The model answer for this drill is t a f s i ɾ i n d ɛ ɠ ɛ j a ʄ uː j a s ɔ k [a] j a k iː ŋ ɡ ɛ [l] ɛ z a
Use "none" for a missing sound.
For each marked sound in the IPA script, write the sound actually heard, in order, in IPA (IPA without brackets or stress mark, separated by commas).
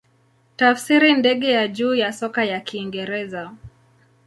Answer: a, ɾ